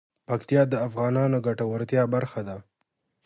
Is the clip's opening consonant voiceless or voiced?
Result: voiceless